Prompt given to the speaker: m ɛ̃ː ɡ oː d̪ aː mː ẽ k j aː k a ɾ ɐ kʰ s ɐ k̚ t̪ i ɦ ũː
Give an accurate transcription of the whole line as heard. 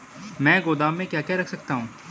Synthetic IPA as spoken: m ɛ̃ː ɡ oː d̪ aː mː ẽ k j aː k ɛ ɾ ɐ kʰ s ɐ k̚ t̪ a ɦ ũː